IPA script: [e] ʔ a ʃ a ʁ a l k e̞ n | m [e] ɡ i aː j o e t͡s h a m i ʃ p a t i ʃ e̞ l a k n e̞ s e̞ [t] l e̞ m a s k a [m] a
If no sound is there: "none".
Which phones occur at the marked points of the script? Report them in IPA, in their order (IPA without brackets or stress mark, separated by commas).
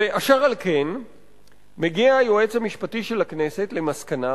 e, e, t, n